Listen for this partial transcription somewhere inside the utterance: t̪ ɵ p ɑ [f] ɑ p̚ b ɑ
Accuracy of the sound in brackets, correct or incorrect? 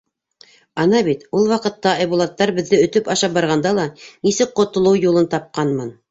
incorrect